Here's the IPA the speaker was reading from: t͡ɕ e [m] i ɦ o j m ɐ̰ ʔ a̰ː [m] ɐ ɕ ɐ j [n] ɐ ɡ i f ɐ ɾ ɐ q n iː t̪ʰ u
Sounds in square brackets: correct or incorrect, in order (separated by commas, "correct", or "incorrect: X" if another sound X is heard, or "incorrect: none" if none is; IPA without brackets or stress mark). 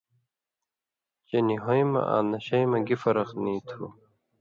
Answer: incorrect: n, incorrect: n, incorrect: m